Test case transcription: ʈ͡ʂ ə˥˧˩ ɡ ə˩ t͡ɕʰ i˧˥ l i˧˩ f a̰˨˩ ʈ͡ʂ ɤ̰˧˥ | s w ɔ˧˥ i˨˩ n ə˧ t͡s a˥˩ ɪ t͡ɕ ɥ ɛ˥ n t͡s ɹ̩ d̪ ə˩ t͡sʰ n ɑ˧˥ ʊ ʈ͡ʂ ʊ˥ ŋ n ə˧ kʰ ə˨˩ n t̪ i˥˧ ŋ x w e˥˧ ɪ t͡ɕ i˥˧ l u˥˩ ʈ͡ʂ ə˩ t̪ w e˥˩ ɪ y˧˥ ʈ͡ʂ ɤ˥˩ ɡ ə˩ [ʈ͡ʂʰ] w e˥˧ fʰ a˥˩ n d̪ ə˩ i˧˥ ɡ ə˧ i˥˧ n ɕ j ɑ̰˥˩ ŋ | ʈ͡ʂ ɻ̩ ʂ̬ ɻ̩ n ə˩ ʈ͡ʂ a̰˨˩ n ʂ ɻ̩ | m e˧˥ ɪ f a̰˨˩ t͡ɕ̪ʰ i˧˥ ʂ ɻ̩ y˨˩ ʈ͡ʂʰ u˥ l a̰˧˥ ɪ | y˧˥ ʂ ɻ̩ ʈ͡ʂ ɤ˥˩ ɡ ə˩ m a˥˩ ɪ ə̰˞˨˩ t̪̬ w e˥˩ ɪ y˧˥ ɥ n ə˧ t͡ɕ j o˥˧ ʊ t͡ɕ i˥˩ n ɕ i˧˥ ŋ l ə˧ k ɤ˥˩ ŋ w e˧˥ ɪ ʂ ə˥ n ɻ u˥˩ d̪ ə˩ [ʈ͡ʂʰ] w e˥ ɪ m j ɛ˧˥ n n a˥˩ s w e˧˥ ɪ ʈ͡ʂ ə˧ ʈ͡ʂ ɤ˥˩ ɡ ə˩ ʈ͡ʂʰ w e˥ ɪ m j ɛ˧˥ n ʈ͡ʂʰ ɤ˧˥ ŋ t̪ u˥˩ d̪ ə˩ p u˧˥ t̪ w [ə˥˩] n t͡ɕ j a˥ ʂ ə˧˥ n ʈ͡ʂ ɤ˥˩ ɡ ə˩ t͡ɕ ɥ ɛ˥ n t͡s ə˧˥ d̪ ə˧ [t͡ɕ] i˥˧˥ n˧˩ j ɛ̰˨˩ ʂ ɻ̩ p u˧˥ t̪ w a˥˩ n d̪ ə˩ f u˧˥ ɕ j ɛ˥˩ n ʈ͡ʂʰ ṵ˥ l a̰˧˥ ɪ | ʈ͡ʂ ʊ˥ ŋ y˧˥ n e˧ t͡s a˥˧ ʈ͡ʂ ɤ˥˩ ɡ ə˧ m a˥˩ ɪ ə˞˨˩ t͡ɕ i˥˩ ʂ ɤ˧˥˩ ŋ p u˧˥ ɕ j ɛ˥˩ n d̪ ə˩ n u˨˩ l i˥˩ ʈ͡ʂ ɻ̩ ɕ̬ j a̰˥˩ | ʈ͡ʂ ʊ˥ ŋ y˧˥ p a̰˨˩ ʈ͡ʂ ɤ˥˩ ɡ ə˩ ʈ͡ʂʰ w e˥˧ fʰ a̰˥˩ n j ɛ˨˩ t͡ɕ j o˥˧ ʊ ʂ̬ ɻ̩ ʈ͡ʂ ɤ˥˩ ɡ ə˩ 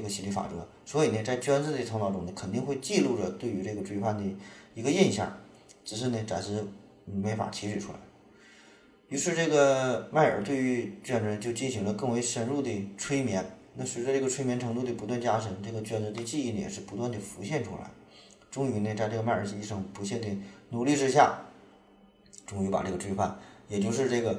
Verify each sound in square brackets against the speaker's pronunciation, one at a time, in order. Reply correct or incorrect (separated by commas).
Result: incorrect, correct, incorrect, correct